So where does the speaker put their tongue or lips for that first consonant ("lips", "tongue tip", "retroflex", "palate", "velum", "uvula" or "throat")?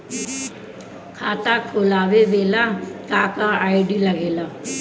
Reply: velum